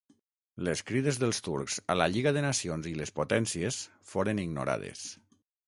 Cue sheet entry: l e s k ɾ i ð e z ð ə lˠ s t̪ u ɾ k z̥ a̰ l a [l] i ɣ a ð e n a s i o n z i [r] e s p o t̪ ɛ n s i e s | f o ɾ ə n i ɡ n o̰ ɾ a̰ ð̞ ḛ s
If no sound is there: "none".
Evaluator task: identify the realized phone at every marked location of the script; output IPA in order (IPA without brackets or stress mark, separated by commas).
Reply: ʎ, l